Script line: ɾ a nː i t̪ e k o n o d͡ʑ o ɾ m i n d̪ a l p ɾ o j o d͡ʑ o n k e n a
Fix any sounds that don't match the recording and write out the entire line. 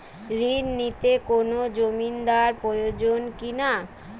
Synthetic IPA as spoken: ɾ i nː i t̪ e k o n o d͡ʑ o m i n d̪ a ɾ p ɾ o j o d͡ʑ o n k i n a